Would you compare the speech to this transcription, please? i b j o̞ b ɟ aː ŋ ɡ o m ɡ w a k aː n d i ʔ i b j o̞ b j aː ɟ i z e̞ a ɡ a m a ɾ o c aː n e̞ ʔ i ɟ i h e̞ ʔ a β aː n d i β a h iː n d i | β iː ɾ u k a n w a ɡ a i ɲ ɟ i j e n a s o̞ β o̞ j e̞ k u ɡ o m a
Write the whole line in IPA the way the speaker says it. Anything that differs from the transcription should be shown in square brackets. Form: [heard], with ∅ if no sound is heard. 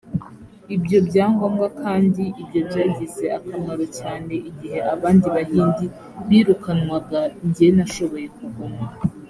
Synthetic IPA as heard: i b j o̞ b ɟ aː ŋ ɡ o m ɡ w a k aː n d i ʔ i b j o̞ b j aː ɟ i z e̞ a [k] a m a ɾ o c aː n e̞ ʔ i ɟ i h e̞ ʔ a β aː n d i β a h iː n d i | β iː ɾ u k a n w a ɡ a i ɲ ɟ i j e n a [ʃ] o̞ β o̞ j e̞ k u ɡ o m a